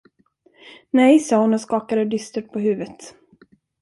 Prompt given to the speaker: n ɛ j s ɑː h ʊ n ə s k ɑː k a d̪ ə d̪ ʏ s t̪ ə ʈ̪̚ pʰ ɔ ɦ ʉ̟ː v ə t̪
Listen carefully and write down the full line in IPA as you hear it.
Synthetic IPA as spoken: n ɛ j s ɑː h ʊ n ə s k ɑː k a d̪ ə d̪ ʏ s t̪ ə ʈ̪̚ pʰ ɔ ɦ ʉ̟ː v ə t̪